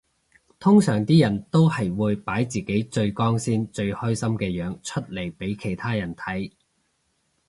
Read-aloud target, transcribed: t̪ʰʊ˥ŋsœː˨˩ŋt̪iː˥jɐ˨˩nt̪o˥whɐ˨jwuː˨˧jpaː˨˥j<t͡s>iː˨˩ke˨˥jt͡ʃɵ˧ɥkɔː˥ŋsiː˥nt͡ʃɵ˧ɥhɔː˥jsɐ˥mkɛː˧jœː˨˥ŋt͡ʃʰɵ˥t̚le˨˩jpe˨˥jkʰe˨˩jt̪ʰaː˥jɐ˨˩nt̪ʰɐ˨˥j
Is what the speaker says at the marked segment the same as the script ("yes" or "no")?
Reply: yes